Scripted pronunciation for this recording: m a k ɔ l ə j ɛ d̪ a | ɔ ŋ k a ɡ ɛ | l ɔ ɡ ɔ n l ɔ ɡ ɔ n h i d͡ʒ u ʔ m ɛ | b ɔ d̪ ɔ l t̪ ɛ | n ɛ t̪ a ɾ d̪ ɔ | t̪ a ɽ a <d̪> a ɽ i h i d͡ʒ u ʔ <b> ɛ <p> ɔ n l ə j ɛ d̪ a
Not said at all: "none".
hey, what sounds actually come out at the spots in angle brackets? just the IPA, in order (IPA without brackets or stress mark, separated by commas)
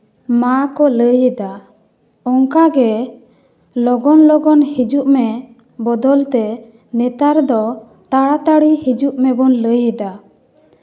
t̪, m, b